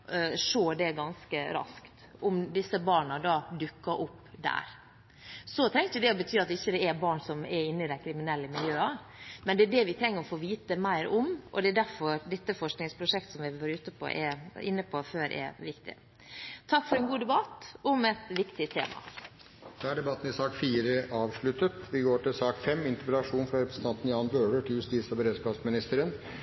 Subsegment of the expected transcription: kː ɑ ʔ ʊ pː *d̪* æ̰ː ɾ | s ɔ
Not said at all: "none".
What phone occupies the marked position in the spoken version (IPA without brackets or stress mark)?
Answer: d̪